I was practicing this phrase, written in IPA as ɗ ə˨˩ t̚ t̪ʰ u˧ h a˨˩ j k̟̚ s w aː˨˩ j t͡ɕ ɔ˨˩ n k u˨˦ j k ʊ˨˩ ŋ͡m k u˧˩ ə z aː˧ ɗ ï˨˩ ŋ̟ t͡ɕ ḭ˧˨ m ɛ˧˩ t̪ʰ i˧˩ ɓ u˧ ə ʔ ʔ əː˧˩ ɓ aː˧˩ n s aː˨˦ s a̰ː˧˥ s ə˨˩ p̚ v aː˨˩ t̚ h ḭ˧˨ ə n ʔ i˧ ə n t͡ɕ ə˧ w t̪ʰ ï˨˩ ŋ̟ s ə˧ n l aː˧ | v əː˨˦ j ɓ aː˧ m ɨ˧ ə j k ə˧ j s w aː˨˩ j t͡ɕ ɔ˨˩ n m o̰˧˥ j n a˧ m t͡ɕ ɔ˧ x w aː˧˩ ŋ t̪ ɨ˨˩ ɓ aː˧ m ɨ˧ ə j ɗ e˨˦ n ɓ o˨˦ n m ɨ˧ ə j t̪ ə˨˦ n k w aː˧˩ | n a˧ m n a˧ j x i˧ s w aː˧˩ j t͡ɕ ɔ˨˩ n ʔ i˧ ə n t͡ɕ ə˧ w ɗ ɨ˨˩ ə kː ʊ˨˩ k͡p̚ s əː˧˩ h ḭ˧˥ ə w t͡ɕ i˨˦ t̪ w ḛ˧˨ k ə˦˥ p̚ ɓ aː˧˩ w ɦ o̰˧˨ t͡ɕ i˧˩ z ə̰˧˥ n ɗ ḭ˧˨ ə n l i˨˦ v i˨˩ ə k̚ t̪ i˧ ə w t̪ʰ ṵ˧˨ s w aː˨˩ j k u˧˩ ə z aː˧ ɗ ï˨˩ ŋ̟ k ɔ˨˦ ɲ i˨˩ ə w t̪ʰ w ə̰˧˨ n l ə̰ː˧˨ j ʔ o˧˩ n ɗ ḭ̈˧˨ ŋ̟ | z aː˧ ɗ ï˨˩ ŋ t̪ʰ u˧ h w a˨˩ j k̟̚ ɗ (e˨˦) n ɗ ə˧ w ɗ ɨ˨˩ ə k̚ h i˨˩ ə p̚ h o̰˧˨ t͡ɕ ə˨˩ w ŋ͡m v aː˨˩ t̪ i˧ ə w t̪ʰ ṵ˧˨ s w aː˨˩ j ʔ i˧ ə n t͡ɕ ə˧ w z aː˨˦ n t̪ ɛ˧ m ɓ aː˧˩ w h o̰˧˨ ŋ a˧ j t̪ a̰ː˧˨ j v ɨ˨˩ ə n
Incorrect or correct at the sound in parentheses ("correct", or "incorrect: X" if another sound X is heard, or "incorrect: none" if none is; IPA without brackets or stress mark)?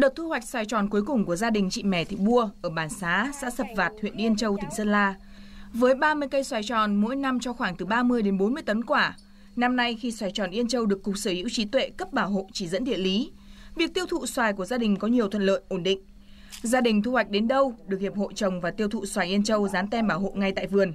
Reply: correct